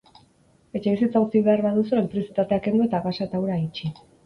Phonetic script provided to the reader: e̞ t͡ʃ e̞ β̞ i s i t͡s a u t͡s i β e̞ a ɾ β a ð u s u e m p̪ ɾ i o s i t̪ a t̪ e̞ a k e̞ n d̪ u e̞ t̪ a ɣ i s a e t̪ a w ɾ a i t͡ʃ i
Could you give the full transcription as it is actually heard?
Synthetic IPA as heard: e̞ t͡ʃ e̞ β̞ i s i t͡s a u t͡s i β e̞ a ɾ β a ð u s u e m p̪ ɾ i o s i t̪ a t̪ e̞ a k e̞ n d̪ u e̞ t̪ a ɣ a s a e t̪ a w ɾ a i t͡ʃ i